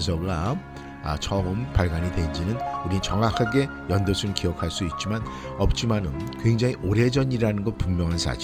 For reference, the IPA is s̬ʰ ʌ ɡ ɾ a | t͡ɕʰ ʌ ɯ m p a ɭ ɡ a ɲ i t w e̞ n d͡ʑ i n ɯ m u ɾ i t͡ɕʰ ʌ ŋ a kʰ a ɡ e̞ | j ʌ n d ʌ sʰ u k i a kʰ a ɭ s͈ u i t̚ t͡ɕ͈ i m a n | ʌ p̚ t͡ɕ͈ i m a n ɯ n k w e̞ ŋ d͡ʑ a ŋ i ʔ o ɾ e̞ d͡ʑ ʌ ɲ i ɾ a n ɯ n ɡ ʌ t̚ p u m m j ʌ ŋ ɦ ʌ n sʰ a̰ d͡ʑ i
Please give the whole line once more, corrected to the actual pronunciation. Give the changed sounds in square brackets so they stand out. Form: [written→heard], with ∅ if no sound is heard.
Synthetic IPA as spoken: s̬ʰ ʌ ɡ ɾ a | t͡ɕʰ ʌ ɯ m p a ɭ ɡ a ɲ i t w e̞ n d͡ʑ i n ɯ [m→n] u ɾ i [t͡ɕʰ→t͡ɕ] ʌ ŋ a kʰ a ɡ e̞ | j ʌ n d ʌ sʰ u k i [a→ʌ] kʰ a ɭ s͈ u i t̚ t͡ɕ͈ i m a n | ʌ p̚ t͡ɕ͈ i m a n ɯ n k w e̞ ŋ d͡ʑ a ŋ i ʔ o ɾ e̞ d͡ʑ ʌ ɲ i ɾ a n ɯ n ɡ ʌ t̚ p u m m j ʌ ŋ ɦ [ʌ→a] n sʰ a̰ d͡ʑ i